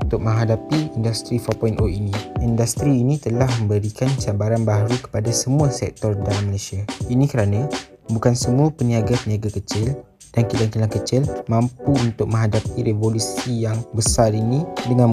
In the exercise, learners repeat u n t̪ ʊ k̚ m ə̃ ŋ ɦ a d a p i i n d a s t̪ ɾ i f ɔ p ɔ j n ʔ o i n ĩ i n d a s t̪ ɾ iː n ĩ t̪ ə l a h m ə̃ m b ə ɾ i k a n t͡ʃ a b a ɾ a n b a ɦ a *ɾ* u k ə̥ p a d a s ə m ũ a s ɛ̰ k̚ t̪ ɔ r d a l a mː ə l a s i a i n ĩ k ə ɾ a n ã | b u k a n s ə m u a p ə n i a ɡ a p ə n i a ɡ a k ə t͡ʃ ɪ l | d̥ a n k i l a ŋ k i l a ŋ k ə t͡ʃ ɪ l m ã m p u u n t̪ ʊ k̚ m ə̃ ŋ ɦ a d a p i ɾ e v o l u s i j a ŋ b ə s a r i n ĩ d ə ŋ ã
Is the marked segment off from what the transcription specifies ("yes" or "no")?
no